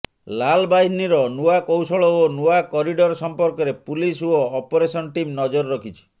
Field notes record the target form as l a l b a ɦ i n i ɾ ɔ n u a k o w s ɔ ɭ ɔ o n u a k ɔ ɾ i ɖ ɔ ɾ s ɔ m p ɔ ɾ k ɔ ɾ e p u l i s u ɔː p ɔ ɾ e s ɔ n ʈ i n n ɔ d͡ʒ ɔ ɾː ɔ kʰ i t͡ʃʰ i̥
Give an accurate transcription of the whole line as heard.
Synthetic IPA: l a l b a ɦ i n i ɾ ɔ n u a k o w s ɔ ɭ ɔ o n u a k ɔ ɾ i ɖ ɔ ɾ s ɔ m p ɔ ɾ k ɔ ɾ e p u l i s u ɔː p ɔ ɾ e s ɔ n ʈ i m n ɔ d͡ʒ ɔ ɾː ɔ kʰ i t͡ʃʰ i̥